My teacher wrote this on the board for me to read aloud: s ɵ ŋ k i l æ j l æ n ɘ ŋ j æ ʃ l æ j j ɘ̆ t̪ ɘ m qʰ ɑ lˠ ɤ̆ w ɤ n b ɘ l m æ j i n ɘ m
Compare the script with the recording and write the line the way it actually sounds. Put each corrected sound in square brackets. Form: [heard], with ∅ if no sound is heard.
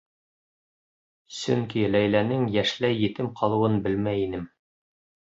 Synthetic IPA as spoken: s ɵ ŋ k i l æ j l æ n ɘ ŋ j æ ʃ l æ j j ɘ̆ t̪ ɘ m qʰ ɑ lˠ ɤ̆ w ɤ n b ɘ l m æ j i n ɘ m